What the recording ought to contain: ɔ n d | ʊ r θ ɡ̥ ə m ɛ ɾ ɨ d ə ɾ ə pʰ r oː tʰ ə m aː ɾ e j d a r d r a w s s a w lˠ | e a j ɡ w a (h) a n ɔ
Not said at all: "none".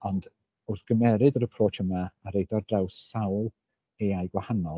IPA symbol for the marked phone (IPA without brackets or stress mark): h